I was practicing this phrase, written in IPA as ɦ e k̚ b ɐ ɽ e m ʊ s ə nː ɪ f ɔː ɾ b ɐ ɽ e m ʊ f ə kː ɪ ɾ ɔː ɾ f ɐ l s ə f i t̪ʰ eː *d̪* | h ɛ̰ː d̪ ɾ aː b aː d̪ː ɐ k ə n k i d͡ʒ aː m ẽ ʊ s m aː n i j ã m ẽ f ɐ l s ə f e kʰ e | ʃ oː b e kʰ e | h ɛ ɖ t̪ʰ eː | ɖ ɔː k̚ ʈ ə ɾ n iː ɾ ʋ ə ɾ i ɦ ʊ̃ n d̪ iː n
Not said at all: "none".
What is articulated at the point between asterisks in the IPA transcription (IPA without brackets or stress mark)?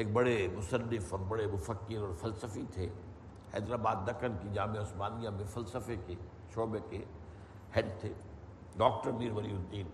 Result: none